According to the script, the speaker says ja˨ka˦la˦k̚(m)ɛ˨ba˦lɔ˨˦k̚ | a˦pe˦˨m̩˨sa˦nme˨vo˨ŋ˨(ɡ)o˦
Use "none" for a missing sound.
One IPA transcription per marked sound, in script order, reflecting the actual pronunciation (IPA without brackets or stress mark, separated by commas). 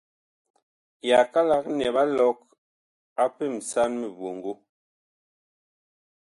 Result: n, ɡ